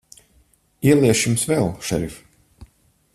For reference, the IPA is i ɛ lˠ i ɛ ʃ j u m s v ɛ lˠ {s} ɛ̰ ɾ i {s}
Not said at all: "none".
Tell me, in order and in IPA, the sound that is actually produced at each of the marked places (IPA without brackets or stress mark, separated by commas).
ʃ, f